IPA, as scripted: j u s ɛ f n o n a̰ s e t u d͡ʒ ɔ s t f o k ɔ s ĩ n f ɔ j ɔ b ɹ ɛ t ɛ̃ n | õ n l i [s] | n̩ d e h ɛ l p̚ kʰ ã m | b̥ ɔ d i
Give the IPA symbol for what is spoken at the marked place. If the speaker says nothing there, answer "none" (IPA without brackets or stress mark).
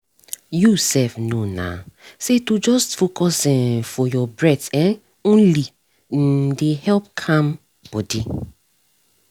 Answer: none